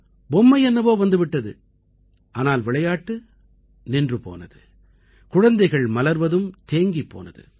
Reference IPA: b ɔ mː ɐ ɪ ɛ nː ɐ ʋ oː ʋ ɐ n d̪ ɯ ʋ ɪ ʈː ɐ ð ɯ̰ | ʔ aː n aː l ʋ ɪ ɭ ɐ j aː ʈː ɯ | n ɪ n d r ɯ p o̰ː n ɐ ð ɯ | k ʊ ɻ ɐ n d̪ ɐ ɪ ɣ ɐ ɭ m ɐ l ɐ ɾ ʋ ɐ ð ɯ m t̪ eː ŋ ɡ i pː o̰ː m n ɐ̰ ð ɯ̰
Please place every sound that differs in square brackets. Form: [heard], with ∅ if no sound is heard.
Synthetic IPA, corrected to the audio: b ɔ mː ɐ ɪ ɛ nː ɐ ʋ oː ʋ ɐ n d̪ ɯ ʋ ɪ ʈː ɐ ð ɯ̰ | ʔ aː n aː l ʋ ɪ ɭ ɐ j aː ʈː ɯ | n ɪ n d r ɯ p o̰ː n ɐ ð ɯ | k ʊ ɻ ɐ n d̪ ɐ ɪ ɣ ɐ ɭ m ɐ l ɐ ɾ ʋ ɐ ð ɯ m t̪ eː ŋ ɡ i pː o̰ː [∅] n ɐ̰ ð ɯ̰